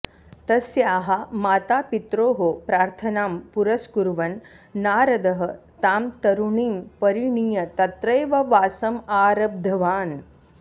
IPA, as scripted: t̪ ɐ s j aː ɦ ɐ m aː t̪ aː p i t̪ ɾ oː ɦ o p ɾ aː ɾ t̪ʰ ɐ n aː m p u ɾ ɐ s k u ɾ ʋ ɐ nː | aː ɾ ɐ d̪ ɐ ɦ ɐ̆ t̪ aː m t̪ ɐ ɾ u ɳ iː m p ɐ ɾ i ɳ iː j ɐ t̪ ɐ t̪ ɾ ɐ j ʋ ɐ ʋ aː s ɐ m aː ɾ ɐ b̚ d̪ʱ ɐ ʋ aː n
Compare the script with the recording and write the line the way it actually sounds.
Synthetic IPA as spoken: t̪ ɐ s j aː ɦ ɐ m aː t̪ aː p i t̪ ɾ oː ɦ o p ɾ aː ɾ t̪ʰ ɐ n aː m p u ɾ ɐ s k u ɾ ʋ ɐ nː | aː ɾ ɐ d̪ ɐ ɦ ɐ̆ t̪ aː m t̪ ɐ ɾ u ɳ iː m p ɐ ɾ i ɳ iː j ɐ t̪ ɐ t̪ ɾ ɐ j ʋ ɐ ʋ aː s ɐ m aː ɾ ɐ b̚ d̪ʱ ɐ ʋ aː n

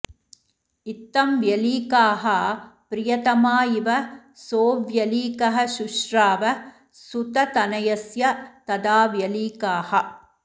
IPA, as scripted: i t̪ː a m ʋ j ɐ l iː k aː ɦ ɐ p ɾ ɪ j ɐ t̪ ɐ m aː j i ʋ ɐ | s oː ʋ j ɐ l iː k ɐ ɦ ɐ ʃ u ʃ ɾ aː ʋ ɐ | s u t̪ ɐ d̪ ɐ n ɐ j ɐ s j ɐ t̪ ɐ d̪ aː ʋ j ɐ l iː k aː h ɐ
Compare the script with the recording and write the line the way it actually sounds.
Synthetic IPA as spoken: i t̪ː ɐ m ʋ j ɐ l iː k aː ɦ ɐ p ɾ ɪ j ɐ t̪ ɐ m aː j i ʋ ɐ | s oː ʋ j ɐ l iː k ɐ ɦ ɐ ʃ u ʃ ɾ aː ʋ ɐ | s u t̪ ɐ t̪ ɐ n ɐ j ɐ s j ɐ t̪ ɐ d̪ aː ʋ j ɐ l iː k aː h ɐ

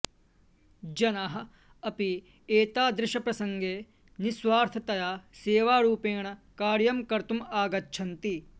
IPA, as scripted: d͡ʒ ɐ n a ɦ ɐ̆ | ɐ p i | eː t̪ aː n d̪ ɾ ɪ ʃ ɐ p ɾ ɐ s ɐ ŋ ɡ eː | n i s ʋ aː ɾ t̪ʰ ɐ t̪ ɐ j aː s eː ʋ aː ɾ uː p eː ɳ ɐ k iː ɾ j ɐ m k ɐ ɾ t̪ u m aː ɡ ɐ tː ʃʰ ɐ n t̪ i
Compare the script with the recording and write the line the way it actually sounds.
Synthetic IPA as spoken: d͡ʒ ɐ n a ɦ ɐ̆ | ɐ p i | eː t̪ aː d̪ ɾ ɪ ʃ ɐ p ɾ ɐ s ɐ ŋ ɡ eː | n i s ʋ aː ɾ t̪ʰ ɐ t̪ ɐ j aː s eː ʋ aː ɾ uː p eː ɳ ɐ k aː ɾ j ɐ m k ɐ ɾ t̪ u m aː ɡ ɐ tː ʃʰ ɐ n t̪ i

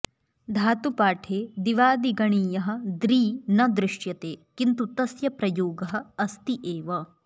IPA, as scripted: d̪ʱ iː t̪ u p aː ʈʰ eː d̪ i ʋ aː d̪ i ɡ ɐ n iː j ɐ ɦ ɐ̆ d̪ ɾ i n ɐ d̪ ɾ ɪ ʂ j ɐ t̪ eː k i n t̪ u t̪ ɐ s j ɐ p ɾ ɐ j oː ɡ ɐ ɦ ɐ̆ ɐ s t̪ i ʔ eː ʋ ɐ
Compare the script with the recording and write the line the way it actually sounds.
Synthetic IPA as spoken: d̪ʱ aː t̪ u p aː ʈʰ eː d̪ i ʋ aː d̪ i ɡ ɐ ɳ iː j ɐ ɦ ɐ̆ d̪ ɾ iː n ɐ d̪ ɾ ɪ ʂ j ɐ t̪ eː k i n t̪ u t̪ ɐ s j ɐ p ɾ ɐ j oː ɡ ɐ ɦ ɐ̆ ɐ s t̪ i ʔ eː ʋ ɐ

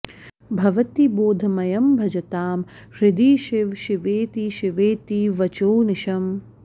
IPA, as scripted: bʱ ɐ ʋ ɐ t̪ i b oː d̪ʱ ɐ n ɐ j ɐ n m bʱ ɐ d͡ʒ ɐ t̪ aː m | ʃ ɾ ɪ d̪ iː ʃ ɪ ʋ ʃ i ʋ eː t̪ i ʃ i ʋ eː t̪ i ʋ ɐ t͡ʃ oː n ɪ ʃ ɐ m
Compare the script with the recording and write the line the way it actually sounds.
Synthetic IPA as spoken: bʱ ɐ ʋ ɐ t̪ i b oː d̪ʱ ɐ m ɐ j ɐ m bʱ ɐ d͡ʒ ɐ t̪ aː m | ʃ ɾ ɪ d̪ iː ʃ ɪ ʋ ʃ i ʋ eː t̪ i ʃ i ʋ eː t̪ i ʋ ɐ t͡ʃ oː n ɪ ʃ ɐ m

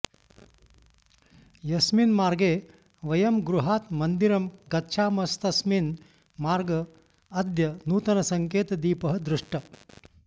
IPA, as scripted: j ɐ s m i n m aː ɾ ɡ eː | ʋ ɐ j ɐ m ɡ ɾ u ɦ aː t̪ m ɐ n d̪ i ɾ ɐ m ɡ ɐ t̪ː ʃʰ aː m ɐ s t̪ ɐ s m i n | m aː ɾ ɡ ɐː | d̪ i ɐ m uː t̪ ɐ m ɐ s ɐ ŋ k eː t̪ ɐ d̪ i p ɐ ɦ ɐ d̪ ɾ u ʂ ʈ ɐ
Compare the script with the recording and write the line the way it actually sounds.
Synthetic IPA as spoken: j ɐ s m i n m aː ɾ ɡ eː | ʋ ɐ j ɐ m ɡ ɾ u ɦ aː t̪ m ɐ n d̪ i ɾ ɐ m ɡ ɐ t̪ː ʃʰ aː m ɐ s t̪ ɐ s m i n | m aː ɾ ɡ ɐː | d̪ j ɐ n uː t̪ ɐ n ɐ s ɐ ŋ k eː t̪ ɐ d̪ iː p ɐ ɦ ɐ d̪ ɾ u ʂ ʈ ɐ

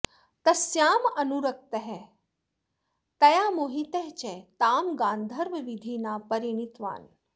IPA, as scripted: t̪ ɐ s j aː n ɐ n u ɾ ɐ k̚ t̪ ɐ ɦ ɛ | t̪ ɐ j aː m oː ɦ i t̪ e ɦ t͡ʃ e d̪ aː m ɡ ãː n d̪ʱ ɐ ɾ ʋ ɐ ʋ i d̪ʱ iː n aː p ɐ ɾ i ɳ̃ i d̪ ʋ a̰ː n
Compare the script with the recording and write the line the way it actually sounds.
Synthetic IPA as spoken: t̪ ɐ s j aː m ɐ n u ɾ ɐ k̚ t̪ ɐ ɦ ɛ | t̪ ɐ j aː m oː ɦ i t̪ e ɦ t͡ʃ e t̪ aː m ɡ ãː n d̪ʱ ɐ ɾ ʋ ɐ ʋ i d̪ʱ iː n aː p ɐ ɾ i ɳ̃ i t̪ ʋ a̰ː n

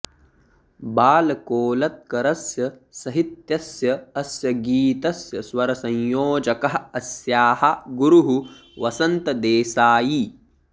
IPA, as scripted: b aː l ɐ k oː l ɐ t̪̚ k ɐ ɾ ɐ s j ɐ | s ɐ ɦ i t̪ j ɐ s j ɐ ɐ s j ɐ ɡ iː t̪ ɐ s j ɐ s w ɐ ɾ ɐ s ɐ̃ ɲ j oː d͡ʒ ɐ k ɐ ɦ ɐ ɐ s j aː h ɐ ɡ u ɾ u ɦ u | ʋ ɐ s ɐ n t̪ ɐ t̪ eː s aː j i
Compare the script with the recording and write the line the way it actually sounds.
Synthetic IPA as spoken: b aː l ɐ k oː l ɐ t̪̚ k ɐ ɾ ɐ s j ɐ | s ɐ ɦ i t̪ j ɐ s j ɐ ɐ s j ɐ ɡ iː t̪ ɐ s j ɐ s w ɐ ɾ ɐ s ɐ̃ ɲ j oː d͡ʒ ɐ k ɐ ɦ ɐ ɐ s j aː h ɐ ɡ u ɾ u ɦ u | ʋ ɐ s ɐ n t̪ ɐ d̪ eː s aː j i

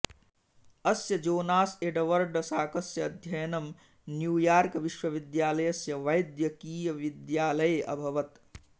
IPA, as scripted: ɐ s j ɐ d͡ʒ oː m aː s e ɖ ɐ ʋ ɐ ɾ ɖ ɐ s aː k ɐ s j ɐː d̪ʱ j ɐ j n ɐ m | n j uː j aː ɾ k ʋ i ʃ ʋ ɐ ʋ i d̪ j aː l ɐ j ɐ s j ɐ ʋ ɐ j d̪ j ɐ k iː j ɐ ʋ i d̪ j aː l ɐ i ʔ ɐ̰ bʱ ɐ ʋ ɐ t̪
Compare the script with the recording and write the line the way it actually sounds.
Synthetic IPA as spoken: ɐ s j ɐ d͡ʒ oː n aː s e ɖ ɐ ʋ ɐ ɾ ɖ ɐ s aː k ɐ s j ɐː d̪ʱ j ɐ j n ɐ m | n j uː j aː ɾ k ʋ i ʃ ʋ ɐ ʋ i d̪ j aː l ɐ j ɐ s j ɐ ʋ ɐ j d̪ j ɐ k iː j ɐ ʋ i d̪ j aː l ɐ j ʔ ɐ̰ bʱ ɐ ʋ ɐ t̪

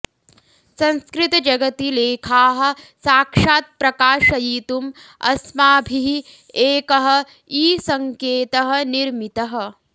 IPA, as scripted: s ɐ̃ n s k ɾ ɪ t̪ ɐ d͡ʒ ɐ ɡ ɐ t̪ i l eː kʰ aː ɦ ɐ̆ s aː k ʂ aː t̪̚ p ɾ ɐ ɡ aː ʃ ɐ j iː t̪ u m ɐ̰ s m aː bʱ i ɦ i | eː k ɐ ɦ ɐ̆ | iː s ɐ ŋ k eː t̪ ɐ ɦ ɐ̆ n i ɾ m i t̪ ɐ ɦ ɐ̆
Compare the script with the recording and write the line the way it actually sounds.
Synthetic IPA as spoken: s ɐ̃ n s k ɾ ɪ t̪ ɐ d͡ʒ ɐ ɡ ɐ t̪ i l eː kʰ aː ɦ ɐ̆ s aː k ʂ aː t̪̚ p ɾ ɐ k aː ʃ ɐ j iː t̪ u m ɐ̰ s m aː bʱ i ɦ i | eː k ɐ ɦ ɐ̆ | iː s ɐ ŋ k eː t̪ ɐ ɦ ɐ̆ n i ɾ m i t̪ ɐ ɦ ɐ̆

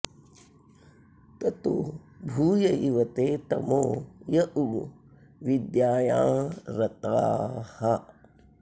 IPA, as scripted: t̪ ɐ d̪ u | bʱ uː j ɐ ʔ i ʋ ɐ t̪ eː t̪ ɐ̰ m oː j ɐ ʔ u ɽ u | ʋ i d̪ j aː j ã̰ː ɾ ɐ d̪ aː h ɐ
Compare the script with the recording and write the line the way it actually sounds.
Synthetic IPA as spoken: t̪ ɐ t̪ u | bʱ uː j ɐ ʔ i ʋ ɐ t̪ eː t̪ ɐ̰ m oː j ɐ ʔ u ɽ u | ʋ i d̪ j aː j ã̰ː ɾ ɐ t̪ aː h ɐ

